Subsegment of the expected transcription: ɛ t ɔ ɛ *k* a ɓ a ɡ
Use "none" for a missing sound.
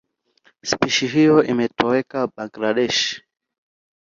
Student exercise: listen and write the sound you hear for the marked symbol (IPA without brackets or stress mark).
k